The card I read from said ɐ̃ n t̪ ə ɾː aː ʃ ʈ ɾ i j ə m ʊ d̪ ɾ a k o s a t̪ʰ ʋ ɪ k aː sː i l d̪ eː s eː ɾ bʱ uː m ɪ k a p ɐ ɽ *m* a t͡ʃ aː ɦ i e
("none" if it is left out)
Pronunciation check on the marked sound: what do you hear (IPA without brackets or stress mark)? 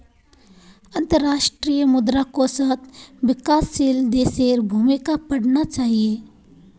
n